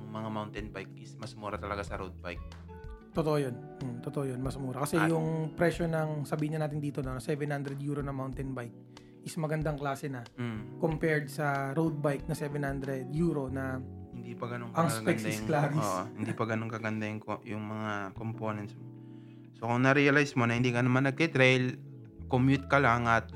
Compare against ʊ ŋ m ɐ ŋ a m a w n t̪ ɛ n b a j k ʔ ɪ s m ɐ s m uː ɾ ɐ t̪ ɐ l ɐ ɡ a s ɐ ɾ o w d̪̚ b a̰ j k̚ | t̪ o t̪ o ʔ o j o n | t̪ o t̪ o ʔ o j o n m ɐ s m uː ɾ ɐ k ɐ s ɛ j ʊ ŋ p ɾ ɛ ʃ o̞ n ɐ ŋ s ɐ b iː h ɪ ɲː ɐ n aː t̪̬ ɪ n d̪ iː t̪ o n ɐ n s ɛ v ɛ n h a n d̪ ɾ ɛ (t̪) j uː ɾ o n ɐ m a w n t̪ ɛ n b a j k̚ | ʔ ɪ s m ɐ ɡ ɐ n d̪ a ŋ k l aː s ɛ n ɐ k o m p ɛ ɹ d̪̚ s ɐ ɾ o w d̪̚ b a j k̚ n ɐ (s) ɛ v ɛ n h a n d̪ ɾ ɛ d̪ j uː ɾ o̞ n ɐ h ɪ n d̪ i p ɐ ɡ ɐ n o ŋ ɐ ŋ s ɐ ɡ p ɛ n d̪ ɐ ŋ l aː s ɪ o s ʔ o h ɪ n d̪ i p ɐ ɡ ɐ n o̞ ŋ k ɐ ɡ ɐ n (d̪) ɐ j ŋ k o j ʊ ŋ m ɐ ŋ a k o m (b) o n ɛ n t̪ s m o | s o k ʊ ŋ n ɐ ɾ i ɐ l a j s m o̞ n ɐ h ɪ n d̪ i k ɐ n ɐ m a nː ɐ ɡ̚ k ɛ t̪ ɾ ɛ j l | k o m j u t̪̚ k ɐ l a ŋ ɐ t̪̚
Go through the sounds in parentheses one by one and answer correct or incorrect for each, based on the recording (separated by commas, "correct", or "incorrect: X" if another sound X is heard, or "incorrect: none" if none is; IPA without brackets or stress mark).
incorrect: d̪, correct, correct, incorrect: p